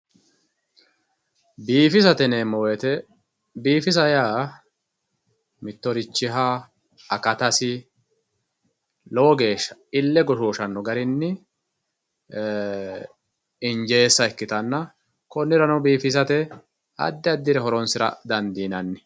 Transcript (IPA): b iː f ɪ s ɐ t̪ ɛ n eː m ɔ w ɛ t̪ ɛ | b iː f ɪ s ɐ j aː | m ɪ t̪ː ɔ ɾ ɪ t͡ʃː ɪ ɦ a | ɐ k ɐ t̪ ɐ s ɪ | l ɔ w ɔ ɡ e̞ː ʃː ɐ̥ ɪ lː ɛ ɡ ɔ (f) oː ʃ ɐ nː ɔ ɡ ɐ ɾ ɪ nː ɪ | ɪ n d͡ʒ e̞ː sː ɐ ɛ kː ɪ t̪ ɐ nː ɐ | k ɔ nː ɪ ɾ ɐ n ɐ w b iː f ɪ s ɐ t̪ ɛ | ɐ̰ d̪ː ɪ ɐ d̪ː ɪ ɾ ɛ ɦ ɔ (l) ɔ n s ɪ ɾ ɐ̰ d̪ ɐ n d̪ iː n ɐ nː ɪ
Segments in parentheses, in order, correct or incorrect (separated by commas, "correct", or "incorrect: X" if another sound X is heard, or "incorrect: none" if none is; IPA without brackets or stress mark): incorrect: ʃ, incorrect: ɾ